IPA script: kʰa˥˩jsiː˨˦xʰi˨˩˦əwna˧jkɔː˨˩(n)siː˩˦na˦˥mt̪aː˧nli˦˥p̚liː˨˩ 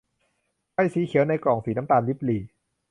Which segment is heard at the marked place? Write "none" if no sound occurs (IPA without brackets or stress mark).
ŋ